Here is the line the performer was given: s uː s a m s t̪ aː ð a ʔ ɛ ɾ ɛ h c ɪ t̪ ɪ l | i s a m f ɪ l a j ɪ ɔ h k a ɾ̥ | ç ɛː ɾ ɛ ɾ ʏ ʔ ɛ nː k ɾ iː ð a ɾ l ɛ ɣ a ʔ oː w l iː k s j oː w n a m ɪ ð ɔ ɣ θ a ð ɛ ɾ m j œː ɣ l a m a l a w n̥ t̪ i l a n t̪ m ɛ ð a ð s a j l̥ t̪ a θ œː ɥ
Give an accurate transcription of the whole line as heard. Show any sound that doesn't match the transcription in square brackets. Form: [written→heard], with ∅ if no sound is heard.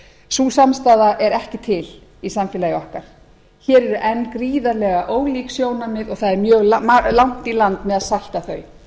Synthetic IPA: s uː s a m s t̪ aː ð a ʔ ɛ ɾ ɛ h c ɪ [t̪→t̪ʰ] ɪ l | i s a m f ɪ l a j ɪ ɔ h k a ɾ̥ | ç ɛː ɾ ɛ ɾ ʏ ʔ ɛ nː k ɾ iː ð a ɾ l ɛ ɣ a ʔ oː w l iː k s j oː w n a m ɪ ð ɔ ɣ θ a ð ɛ ɾ m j œː ɣ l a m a l a w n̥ t̪ i l a n t̪ m ɛ ð a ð s a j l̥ t̪ a θ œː ɥ

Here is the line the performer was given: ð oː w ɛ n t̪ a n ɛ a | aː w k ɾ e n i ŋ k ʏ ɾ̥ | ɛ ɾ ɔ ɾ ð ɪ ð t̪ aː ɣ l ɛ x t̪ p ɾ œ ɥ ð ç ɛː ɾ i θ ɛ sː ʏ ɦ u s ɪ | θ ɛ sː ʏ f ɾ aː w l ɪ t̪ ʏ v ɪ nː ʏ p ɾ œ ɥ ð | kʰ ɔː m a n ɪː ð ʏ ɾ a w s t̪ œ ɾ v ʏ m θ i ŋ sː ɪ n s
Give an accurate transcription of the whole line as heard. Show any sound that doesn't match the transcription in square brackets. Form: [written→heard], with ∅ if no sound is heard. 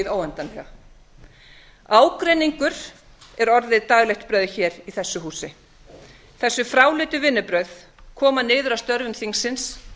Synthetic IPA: ð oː w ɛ n t̪ a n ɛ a | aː w k ɾ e n i ŋ k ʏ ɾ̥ | ɛ ɾ ɔ ɾ ð ɪ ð t̪ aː ɣ l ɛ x t̪ p ɾ œ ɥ ð ç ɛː ɾ i θ ɛ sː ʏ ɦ [u→uː] s ɪ | θ ɛ sː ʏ f ɾ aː w l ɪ t̪ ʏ v ɪ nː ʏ p ɾ œ ɥ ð | kʰ ɔː m a n ɪː ð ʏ ɾ a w s t̪ œ ɾ v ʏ m θ i ŋ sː ɪ n s

